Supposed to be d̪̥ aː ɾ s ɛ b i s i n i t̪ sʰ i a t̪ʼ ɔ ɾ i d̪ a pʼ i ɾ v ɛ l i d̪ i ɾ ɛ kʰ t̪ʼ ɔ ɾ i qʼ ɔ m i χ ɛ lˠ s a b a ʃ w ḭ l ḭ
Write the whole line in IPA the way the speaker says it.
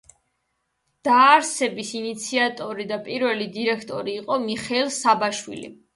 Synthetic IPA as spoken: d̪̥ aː ɾ s ɛ b i s i n i t̪ sʰ i a t̪ʼ ɔ ɾ i d̪ a pʼ i ɾ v ɛ l i d̪ i ɾ ɛ kʰ t̪ʼ ɔ ɾ iː qʼ ɔ m i χ ɛ lˠ s a b a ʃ w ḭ l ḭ